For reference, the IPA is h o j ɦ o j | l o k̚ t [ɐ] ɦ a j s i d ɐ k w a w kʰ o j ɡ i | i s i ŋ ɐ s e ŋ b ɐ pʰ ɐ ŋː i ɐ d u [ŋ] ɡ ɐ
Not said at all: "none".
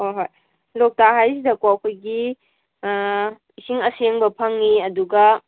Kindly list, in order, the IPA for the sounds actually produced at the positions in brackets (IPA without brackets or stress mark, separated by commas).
a, none